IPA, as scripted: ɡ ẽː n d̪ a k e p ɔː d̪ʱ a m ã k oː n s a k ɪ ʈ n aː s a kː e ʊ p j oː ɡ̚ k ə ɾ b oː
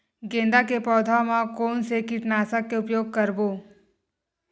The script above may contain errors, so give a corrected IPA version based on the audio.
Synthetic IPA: ɡ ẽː n d̪ a k e p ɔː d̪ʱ a m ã k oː n s e k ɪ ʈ n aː s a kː e ʊ p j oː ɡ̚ k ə ɾ b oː